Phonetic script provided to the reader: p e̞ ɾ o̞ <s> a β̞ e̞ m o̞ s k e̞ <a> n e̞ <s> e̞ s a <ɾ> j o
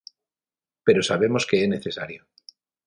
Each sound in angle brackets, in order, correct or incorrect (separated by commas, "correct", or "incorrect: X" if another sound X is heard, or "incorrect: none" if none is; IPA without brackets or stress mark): correct, incorrect: e, incorrect: θ, correct